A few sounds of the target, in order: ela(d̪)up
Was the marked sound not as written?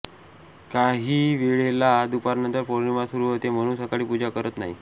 no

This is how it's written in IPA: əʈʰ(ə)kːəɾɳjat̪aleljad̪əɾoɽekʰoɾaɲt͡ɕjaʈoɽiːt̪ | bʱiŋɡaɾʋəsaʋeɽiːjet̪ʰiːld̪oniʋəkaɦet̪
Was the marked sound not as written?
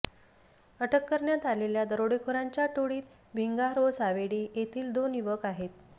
no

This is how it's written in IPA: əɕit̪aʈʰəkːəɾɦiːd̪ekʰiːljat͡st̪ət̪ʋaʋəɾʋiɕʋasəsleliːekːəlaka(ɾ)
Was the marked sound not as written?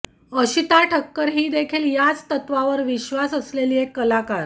no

